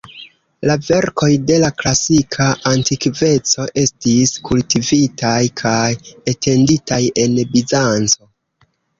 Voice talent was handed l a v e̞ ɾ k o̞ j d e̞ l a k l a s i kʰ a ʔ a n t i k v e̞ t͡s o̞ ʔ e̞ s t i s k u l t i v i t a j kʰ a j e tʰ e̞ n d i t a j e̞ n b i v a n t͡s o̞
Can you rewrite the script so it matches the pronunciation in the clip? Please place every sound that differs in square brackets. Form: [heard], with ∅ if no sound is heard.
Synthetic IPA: l a v e̞ ɾ k o̞ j d e̞ l a k l a s i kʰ a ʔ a n t i k v e̞ t͡s o̞ ʔ e̞ s t i s k u l t i v i t a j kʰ a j e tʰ e̞ n d i t a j e̞ n b i [z] a n t͡s o̞